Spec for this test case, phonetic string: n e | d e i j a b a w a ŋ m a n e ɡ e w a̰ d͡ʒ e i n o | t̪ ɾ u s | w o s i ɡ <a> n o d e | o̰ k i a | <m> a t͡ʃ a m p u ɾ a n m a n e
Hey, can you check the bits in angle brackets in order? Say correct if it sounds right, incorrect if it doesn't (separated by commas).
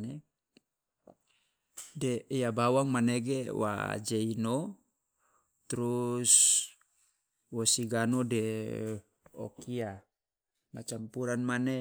correct, correct